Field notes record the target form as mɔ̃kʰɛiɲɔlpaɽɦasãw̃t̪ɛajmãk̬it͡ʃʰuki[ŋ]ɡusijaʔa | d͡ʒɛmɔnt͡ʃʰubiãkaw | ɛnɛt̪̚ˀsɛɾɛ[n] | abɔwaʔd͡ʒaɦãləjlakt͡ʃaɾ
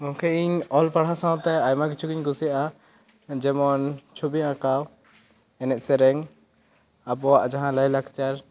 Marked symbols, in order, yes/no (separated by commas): no, no